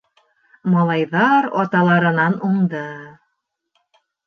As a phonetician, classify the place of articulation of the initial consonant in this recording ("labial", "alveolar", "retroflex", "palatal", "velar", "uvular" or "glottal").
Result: labial